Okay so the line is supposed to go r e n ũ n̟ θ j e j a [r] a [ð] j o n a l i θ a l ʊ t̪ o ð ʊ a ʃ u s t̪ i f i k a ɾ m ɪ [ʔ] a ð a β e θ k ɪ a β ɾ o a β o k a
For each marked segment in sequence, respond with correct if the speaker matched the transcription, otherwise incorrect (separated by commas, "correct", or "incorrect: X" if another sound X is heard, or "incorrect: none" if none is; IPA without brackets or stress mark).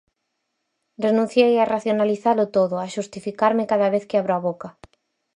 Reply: correct, incorrect: θ, incorrect: k